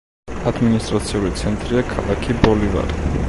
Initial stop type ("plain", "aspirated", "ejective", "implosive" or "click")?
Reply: plain